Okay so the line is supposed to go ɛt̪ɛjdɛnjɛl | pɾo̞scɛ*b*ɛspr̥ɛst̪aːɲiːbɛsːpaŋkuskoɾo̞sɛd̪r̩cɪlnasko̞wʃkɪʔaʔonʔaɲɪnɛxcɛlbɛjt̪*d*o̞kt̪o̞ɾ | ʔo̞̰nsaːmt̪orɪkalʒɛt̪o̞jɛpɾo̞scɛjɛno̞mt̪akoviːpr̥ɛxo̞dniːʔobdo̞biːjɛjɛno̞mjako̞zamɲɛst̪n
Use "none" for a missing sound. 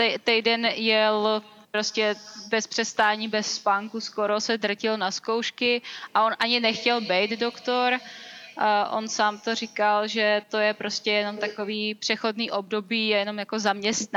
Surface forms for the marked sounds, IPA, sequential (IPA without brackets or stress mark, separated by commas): b, d